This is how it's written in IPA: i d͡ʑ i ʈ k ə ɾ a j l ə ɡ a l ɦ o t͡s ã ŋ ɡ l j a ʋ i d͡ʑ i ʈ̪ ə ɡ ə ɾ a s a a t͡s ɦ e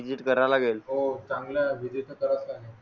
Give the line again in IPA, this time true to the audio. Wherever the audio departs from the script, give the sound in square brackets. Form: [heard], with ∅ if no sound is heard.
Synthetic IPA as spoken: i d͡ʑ i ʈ k ə ɾ a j l [a] ɡ [e] l ɦ o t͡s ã ŋ ɡ l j a ʋ i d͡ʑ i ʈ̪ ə [k] ə ɾ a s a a [∅] ɦ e